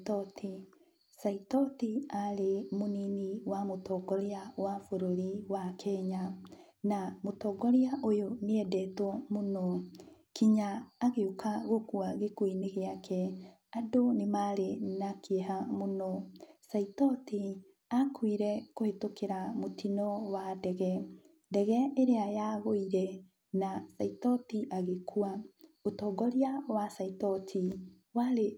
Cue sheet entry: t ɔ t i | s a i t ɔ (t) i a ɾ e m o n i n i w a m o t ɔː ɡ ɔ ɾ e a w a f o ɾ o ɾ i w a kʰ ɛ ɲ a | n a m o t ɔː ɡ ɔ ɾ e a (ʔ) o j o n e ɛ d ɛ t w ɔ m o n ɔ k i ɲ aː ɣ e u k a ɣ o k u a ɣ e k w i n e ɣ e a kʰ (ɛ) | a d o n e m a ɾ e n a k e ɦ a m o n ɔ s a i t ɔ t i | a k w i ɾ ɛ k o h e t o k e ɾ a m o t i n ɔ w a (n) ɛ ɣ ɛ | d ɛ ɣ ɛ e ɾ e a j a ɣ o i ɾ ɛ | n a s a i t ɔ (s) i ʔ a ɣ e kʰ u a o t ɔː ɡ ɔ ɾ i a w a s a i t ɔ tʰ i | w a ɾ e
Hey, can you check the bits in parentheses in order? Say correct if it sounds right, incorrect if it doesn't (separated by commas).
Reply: correct, correct, correct, incorrect, incorrect